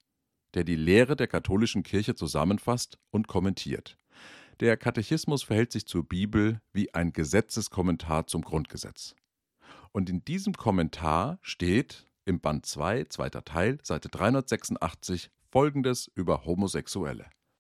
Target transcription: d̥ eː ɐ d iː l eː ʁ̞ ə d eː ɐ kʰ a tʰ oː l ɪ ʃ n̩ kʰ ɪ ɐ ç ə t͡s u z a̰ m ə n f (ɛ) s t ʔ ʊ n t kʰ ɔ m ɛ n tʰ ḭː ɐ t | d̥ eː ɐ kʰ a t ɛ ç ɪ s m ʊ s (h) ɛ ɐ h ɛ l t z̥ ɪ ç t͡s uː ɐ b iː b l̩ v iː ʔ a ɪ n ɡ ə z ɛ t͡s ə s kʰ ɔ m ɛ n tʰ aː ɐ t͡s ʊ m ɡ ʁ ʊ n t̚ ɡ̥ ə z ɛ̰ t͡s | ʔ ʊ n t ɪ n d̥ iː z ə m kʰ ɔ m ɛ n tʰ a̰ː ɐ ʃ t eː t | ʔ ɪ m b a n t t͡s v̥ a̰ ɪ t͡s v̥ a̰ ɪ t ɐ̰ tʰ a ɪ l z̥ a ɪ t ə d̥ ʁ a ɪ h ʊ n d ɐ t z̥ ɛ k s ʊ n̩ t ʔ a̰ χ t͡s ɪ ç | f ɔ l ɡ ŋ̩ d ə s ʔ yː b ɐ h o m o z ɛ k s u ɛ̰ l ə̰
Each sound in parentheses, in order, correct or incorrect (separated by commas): incorrect, incorrect